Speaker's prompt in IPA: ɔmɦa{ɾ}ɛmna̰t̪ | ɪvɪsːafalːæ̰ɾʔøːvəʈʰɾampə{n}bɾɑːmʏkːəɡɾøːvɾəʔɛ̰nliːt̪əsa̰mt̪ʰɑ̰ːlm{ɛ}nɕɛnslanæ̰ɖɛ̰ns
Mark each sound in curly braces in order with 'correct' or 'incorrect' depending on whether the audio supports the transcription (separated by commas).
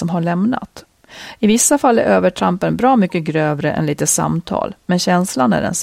incorrect, correct, correct